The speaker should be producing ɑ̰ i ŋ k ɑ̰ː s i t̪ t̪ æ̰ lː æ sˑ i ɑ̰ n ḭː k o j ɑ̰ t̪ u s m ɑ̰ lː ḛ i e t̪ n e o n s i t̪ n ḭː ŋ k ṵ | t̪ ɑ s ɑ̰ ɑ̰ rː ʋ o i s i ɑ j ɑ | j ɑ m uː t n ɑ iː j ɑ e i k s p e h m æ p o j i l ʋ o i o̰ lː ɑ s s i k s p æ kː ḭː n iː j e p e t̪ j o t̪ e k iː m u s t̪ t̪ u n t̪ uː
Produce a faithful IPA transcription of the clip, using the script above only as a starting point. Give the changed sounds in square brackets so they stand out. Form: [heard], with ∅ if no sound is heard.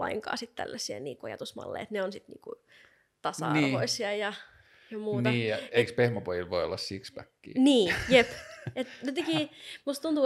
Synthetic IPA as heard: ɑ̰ i ŋ k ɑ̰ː s i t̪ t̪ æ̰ lː æ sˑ i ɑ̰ n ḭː k o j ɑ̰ t̪ u s m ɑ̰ lː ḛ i e t̪ n e o n s i t̪ n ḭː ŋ k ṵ | t̪ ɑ s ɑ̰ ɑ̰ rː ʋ o i s i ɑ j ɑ | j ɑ m uː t n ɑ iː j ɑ e i k s p e h m æ p o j i l ʋ o i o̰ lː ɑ s s i k s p æ kː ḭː n iː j e p e t̪ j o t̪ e k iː m u s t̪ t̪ u n t̪ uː